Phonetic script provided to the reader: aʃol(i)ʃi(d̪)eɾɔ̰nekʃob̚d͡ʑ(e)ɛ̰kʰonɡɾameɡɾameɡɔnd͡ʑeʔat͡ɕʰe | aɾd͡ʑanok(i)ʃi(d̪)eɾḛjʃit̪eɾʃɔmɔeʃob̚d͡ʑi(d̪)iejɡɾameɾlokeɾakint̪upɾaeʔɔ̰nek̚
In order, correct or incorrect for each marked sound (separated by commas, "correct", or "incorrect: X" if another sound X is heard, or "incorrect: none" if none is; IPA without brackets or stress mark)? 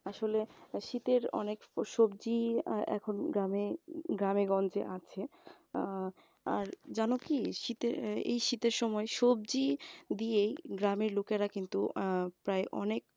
incorrect: e, incorrect: t̪, incorrect: i, correct, incorrect: t̪, correct